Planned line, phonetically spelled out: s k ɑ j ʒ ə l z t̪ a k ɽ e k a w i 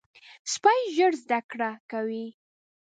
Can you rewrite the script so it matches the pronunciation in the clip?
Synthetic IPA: s p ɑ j ʒ ə ɽ z d̪ a k ɽ a k a w i